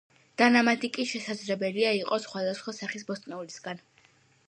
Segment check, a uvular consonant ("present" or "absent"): present